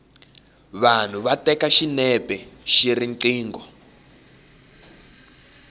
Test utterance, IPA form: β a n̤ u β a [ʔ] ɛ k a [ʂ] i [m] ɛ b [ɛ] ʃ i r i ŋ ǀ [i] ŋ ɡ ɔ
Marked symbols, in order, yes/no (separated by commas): no, no, no, yes, no